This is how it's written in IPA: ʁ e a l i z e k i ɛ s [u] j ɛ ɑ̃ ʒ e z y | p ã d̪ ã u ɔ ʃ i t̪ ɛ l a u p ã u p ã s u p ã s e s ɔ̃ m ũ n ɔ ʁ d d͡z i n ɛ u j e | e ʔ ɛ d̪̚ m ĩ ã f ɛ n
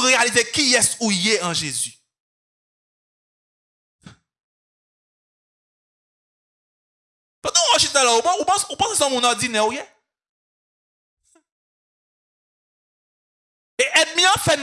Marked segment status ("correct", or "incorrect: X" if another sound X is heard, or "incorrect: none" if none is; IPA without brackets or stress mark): correct